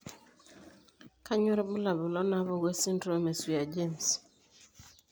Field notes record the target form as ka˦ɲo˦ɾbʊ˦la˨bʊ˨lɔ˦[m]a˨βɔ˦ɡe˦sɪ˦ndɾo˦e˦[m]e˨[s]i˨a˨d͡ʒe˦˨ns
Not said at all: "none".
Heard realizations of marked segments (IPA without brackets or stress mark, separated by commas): n, m, s